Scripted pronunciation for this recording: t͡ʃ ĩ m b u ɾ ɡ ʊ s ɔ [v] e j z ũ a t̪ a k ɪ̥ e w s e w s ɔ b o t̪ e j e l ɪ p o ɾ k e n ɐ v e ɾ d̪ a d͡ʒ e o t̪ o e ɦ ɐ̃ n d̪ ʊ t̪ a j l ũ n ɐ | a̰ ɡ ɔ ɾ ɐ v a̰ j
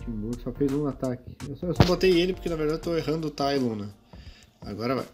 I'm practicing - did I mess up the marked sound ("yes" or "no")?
yes